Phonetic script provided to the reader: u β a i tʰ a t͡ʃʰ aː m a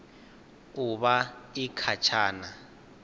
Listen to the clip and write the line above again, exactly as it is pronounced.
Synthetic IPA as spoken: u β a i kʰ a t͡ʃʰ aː n a